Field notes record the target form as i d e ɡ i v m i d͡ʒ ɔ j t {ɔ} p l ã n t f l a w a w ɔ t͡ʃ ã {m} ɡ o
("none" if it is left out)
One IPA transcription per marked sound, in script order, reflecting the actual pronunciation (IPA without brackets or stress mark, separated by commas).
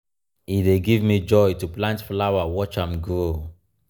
u, m